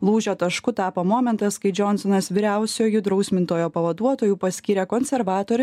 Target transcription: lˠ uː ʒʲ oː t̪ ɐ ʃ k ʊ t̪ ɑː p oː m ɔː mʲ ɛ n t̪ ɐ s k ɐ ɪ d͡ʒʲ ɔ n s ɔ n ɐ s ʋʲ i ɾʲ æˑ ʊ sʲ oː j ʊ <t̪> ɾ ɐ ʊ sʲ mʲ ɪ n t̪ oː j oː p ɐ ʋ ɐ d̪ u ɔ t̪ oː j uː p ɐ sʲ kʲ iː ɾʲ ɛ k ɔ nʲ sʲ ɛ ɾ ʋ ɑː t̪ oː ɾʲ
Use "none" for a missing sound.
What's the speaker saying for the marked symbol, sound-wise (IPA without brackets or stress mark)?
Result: d̪